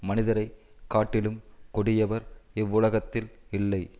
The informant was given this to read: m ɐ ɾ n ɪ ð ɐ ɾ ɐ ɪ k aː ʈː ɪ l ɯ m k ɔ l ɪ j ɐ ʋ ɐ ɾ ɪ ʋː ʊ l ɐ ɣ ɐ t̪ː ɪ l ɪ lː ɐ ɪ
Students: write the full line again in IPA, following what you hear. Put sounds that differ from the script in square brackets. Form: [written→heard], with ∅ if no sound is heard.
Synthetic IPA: m ɐ [ɾ→∅] n ɪ ð ɐ ɾ ɐ ɪ k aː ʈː ɪ l ɯ m k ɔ [l→ɽ] ɪ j ɐ ʋ ɐ ɾ ɪ ʋː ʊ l ɐ ɣ ɐ t̪ː ɪ l ɪ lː ɐ ɪ